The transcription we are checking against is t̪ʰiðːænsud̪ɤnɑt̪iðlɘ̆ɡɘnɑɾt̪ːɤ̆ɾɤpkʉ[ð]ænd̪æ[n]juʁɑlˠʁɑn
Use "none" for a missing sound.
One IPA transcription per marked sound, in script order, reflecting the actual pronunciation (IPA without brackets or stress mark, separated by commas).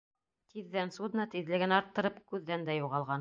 ðː, none